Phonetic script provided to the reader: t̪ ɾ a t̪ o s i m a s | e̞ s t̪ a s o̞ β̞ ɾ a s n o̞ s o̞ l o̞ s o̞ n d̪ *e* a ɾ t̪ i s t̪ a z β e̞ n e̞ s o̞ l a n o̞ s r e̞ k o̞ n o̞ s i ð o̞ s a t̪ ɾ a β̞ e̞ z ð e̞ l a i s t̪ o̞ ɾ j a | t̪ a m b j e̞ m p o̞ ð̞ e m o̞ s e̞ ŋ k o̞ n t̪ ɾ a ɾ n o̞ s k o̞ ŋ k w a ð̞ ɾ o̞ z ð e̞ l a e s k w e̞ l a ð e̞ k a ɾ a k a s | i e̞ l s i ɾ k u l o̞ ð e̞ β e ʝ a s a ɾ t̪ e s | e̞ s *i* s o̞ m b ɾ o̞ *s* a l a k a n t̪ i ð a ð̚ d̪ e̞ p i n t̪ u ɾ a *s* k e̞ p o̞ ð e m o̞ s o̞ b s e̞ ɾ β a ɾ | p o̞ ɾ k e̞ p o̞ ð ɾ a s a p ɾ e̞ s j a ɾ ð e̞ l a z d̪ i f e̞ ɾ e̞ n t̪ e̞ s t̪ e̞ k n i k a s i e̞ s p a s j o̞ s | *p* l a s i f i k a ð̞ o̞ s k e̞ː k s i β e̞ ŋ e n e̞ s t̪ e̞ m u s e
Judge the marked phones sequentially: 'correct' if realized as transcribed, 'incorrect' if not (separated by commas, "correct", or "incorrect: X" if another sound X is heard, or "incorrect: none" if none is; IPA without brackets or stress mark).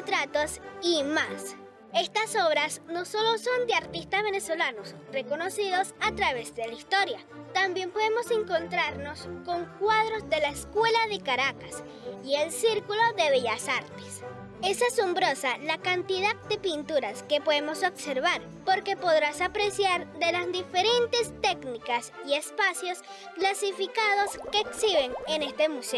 correct, incorrect: a, correct, correct, incorrect: k